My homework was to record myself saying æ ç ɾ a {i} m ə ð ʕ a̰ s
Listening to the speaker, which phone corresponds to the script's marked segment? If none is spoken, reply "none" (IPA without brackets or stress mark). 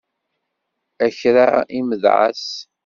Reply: i